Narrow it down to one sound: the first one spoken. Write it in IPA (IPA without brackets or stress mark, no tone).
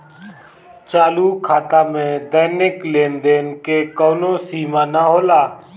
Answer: t͡ʃ